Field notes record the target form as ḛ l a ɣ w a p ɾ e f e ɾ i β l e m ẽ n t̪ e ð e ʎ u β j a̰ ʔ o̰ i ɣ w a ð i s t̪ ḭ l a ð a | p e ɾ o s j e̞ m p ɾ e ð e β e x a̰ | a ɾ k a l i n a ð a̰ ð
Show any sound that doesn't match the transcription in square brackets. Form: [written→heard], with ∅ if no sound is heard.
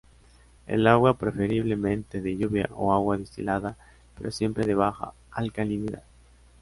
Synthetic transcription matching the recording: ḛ l a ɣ w a p ɾ e f e ɾ i β l e m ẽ n t̪ e ð e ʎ u β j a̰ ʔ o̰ [i→a] ɣ w a ð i s t̪ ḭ l a ð a | p e ɾ o s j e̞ m p ɾ e ð e β [e→a] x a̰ | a [ɾ→l] k a l i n [a→i] ð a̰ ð